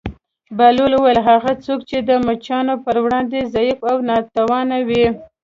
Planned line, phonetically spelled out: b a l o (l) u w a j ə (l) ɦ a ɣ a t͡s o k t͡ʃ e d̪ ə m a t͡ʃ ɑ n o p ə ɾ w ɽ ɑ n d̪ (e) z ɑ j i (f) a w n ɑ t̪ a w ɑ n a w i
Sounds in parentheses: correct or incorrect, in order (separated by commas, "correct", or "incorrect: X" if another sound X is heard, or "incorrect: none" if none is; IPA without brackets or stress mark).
correct, correct, correct, correct